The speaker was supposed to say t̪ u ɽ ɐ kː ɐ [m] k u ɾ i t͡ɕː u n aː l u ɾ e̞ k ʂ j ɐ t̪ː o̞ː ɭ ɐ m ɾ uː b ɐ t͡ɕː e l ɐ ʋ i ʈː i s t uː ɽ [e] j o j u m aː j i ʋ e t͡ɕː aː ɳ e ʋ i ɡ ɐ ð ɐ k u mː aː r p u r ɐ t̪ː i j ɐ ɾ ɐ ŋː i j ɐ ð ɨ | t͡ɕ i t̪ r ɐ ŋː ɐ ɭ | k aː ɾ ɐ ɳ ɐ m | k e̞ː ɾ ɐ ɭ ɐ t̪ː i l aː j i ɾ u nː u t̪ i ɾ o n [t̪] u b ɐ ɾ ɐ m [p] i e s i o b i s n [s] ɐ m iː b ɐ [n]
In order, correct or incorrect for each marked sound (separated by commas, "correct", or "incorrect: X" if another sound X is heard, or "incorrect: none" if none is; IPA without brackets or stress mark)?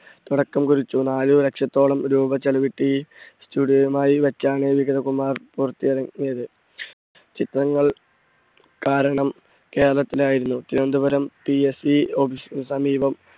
correct, incorrect: i, incorrect: d̪, correct, correct, incorrect: m